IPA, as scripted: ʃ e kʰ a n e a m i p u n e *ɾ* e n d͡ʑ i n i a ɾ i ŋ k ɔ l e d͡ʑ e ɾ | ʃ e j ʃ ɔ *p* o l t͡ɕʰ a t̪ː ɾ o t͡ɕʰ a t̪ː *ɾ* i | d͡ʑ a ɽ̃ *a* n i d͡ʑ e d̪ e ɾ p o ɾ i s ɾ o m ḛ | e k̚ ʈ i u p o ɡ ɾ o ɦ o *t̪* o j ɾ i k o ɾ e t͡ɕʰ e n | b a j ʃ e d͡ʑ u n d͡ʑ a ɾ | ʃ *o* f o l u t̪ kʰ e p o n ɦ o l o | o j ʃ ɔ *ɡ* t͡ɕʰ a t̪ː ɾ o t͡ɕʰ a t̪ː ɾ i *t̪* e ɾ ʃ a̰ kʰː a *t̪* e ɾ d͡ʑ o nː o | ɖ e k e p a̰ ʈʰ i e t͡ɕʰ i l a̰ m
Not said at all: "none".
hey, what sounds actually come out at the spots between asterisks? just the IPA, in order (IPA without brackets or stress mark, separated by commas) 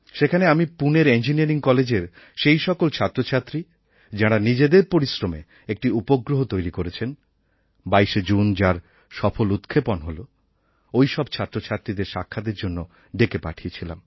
ɾ, k, ɾ, a, t̪, ɔ, b, d̪, d̪